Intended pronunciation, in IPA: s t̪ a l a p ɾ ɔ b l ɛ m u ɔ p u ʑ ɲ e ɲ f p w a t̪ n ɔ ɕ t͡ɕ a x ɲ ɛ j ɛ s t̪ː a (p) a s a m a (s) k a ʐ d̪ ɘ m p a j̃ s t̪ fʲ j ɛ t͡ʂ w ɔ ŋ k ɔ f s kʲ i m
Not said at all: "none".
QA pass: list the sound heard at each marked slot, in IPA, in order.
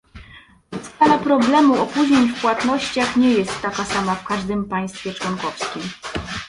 k, f

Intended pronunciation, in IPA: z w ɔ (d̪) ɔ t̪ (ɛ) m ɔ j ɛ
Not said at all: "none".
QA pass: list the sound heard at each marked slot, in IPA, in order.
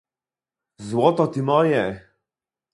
t̪, i

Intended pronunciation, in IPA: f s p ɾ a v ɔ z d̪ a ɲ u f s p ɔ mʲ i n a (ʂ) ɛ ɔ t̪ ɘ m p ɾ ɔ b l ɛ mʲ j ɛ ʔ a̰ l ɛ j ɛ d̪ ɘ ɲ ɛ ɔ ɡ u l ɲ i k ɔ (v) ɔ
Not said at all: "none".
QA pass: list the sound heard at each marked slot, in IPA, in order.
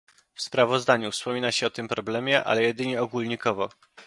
ɕ, v

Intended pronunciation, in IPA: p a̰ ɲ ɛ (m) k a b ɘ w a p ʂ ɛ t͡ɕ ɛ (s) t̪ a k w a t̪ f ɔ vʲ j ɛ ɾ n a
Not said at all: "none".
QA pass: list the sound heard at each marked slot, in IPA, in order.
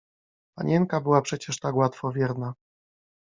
ŋ, ʂ

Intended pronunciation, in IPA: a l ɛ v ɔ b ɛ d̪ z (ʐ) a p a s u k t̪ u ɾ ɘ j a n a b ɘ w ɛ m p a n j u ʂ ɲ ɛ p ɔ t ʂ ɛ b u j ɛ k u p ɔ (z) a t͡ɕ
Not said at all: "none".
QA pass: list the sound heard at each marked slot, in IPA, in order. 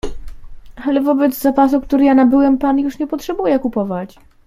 z, v

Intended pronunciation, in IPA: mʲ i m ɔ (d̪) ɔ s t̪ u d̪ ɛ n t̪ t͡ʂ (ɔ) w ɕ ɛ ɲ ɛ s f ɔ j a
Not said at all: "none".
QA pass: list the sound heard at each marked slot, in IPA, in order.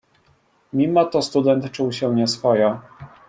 t̪, u

